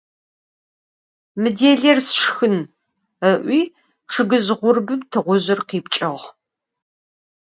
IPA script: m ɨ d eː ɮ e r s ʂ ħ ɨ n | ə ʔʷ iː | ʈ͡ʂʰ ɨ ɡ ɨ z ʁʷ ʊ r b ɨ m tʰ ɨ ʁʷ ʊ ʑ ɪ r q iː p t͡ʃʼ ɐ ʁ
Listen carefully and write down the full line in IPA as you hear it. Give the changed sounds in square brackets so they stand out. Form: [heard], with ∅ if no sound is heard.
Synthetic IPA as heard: m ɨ d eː ɮ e r s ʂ [x] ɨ n | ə ʔʷ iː | ʈ͡ʂʰ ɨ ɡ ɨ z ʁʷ ʊ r b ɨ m tʰ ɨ ʁʷ ʊ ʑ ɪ r q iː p t͡ʃʼ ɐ ʁ